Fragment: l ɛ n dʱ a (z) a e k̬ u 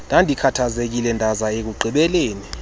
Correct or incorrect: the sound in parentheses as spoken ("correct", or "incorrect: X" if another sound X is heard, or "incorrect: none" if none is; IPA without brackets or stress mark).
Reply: correct